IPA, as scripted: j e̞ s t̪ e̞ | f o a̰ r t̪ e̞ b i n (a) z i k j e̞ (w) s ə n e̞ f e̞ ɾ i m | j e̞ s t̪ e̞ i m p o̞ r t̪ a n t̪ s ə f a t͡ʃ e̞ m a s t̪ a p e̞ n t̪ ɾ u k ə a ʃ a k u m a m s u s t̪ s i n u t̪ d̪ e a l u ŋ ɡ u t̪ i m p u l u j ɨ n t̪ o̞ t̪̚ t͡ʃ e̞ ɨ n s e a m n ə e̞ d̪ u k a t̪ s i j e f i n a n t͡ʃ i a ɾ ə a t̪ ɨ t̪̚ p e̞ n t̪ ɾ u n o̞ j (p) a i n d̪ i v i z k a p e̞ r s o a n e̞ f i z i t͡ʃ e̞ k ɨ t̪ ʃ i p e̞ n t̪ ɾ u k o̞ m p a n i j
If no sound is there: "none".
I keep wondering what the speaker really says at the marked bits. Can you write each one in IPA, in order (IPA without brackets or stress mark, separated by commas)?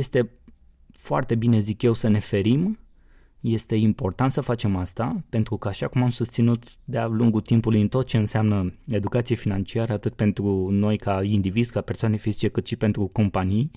e, w, k